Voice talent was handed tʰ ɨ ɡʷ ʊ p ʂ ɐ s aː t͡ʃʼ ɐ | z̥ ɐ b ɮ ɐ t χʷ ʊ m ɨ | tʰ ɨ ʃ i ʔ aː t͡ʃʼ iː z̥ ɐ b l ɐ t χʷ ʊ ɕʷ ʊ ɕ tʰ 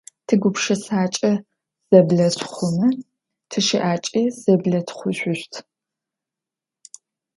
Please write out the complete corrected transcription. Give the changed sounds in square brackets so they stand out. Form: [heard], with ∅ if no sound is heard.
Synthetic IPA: tʰ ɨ ɡʷ ʊ p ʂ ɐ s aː t͡ʃʼ ɐ | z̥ ɐ b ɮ ɐ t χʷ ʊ m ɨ | tʰ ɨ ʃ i ʔ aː t͡ʃʼ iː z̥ ɐ b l ɐ t χʷ ʊ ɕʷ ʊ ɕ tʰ